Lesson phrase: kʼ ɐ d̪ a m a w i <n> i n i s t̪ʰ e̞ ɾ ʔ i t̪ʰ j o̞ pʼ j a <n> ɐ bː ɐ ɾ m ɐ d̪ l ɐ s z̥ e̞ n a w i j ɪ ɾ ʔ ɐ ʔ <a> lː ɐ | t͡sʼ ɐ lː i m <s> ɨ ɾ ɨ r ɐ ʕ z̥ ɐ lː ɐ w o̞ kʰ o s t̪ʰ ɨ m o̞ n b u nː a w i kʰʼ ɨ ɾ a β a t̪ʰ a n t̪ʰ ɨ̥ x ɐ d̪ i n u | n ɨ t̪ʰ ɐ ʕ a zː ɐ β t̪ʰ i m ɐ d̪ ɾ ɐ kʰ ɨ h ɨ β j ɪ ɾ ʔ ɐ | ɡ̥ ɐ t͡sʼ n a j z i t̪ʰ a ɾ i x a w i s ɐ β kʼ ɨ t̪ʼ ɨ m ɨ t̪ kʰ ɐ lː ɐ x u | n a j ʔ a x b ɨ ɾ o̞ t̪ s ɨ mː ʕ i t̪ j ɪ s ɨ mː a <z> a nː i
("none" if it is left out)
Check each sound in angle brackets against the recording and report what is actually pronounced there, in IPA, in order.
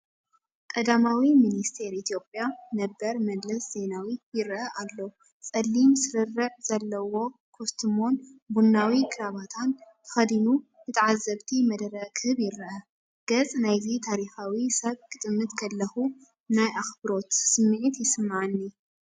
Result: m, n, a, s, ʕ

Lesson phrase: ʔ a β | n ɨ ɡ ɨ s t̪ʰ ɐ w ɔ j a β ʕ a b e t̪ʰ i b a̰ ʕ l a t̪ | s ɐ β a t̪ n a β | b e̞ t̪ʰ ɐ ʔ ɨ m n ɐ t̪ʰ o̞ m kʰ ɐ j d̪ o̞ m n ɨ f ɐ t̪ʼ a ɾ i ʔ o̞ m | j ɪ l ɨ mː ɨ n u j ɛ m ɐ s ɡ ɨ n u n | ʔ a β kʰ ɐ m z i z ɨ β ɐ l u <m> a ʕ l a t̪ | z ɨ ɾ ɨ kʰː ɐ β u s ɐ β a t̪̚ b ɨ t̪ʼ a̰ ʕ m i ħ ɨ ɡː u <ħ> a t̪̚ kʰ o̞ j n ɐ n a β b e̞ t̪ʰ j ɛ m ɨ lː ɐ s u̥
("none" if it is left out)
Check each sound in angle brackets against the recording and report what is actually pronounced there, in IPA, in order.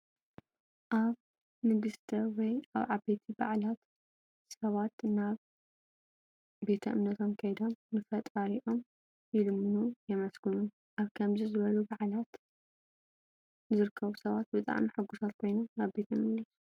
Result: b, s

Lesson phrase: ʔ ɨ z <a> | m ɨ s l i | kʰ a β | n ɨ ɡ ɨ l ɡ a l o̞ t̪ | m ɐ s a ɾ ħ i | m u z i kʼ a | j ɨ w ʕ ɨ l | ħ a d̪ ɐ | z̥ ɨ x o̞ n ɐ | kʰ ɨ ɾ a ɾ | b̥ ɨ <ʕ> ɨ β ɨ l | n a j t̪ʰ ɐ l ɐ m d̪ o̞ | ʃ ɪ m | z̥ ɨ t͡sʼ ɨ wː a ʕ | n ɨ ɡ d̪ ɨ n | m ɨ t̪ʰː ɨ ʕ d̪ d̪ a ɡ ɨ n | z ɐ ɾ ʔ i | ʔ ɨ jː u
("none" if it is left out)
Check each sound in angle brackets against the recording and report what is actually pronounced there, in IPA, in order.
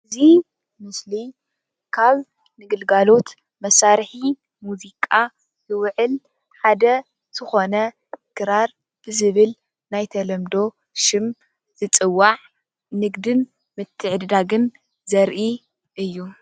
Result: i, z

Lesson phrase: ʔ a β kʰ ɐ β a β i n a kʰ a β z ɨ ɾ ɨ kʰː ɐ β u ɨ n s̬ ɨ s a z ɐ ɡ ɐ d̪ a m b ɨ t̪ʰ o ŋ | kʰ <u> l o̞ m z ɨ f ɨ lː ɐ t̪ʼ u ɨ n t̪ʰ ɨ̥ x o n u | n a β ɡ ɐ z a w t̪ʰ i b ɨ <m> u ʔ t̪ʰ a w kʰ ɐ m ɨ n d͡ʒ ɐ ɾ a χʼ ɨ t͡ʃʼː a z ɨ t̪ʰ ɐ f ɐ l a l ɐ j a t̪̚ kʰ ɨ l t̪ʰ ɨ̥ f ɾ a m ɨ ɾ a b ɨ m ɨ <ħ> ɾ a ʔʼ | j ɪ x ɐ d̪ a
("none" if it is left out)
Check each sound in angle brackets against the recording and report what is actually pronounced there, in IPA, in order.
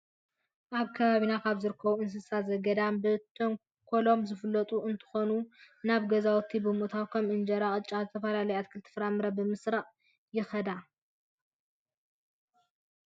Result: o, m, s

